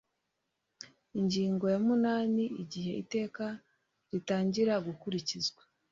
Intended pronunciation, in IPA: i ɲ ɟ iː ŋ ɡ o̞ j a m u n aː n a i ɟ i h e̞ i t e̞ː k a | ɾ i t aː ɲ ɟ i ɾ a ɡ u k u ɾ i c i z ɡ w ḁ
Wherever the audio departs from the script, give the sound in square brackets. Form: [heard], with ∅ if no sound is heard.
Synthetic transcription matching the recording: i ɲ ɟ iː ŋ ɡ o̞ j a m u n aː n [i] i ɟ i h e̞ i t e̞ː k a | ɾ i t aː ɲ ɟ i ɾ a ɡ u k u ɾ i c i z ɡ w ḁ